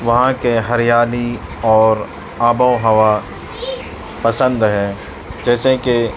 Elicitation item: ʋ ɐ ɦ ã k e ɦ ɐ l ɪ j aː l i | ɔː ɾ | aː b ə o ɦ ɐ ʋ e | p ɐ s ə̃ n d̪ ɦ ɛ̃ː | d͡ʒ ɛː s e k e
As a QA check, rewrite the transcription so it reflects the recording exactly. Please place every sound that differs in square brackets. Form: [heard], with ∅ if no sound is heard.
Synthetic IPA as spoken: ʋ ɐ ɦ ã k e ɦ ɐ [ɾ] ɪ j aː l i | ɔː ɾ | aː b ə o ɦ ɐ ʋ [a] | p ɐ s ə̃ n d̪ ɦ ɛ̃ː | d͡ʒ ɛː s e k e